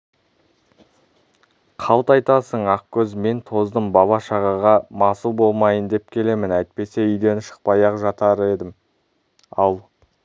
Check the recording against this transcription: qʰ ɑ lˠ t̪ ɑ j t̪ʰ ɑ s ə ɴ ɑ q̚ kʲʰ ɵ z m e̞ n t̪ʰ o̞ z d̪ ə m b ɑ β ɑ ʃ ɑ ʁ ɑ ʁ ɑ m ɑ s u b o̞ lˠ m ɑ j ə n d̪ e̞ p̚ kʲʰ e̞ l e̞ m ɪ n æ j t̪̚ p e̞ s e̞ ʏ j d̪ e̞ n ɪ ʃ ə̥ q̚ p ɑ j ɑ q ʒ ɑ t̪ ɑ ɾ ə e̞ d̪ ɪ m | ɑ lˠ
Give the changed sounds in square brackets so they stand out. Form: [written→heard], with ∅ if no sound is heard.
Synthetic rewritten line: qʰ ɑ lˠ t̪ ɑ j [t̪ʰ→t̪] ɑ s ə ɴ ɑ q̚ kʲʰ ɵ z m e̞ n t̪ʰ o̞ z d̪ ə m b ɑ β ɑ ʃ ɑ ʁ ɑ ʁ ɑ m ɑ s u b o̞ lˠ m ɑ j ə n d̪ e̞ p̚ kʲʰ e̞ l e̞ m ɪ n æ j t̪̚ p e̞ s e̞ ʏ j d̪ e̞ n ɪ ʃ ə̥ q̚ p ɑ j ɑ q ʒ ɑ t̪ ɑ ɾ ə e̞ d̪ ɪ m | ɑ lˠ